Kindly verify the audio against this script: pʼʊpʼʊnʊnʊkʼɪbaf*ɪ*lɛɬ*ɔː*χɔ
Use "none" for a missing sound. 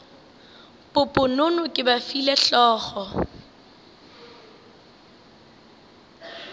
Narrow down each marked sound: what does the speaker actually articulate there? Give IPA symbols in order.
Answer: i, ɔː

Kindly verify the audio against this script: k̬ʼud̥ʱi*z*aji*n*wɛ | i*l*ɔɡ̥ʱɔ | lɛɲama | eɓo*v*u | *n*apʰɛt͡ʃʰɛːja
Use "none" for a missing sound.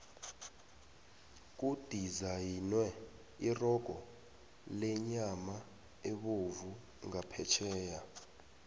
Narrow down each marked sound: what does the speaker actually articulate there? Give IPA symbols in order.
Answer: z, n, r, v, ŋ

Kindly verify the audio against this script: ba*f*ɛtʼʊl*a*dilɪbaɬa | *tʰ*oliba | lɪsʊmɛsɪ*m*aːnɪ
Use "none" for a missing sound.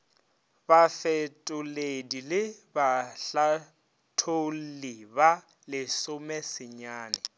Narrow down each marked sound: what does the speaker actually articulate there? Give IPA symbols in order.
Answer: f, e, tʰ, ɲ

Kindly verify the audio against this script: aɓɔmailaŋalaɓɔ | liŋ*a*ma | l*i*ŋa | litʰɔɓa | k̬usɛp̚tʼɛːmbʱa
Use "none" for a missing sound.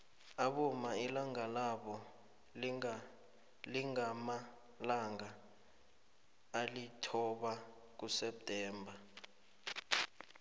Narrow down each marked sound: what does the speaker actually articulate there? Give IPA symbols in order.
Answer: a, a

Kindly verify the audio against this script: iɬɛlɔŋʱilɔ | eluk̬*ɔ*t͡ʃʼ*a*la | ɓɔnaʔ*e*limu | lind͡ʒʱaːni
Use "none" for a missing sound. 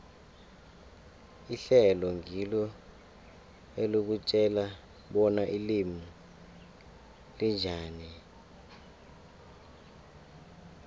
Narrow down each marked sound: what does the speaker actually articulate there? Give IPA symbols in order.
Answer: u, ɛ, i

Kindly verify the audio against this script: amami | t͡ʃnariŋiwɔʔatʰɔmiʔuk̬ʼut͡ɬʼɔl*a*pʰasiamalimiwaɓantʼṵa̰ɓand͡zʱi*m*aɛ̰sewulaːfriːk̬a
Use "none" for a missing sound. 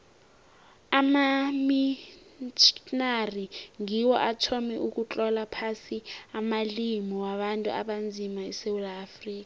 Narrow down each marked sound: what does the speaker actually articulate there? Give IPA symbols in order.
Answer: a, m

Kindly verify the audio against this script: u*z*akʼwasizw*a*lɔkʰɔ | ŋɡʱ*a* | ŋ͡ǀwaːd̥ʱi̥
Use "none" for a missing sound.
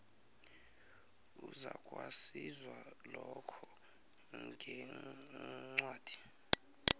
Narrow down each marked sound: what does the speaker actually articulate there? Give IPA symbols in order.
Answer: z, a, ɛ

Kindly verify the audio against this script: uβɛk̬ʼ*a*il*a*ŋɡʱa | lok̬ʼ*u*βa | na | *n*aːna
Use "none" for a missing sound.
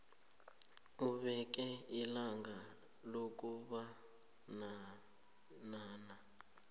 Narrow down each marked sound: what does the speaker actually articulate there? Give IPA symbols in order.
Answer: ɛ, a, u, n

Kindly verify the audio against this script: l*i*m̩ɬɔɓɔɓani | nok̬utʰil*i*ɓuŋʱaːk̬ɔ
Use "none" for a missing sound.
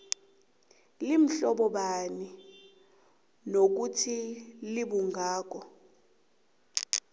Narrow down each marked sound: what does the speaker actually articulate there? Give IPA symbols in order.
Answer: i, i

